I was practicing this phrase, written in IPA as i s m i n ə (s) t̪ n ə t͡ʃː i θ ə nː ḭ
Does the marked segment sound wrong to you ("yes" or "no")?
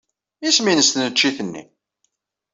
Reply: no